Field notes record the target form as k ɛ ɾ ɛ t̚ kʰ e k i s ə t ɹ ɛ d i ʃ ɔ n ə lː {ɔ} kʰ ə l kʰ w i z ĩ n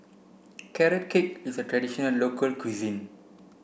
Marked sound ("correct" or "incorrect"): incorrect